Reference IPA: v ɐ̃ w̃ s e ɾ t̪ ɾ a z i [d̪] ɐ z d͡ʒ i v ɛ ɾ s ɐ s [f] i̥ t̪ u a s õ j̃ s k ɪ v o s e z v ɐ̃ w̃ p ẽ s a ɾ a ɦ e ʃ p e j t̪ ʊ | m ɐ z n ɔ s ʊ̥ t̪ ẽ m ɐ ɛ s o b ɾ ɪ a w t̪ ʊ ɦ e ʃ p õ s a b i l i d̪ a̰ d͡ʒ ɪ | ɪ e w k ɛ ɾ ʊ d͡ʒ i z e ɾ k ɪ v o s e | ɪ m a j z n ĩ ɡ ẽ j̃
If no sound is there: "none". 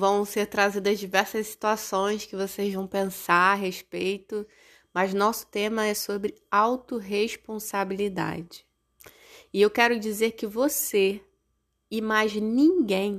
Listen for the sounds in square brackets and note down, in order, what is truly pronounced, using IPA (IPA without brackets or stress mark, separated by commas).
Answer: d̪, s